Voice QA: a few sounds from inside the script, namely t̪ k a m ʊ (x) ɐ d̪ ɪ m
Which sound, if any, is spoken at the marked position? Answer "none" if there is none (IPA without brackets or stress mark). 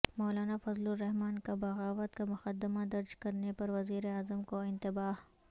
x